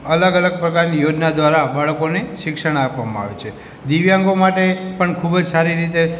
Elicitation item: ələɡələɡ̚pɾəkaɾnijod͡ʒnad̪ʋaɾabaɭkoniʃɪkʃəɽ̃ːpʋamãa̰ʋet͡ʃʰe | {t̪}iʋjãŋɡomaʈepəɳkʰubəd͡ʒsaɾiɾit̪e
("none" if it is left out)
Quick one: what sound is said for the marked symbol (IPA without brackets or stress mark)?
d̪